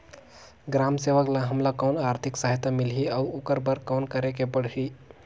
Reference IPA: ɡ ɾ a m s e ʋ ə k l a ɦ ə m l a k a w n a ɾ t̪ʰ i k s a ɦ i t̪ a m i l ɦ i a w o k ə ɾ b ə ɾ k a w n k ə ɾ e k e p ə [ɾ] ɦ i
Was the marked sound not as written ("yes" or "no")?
yes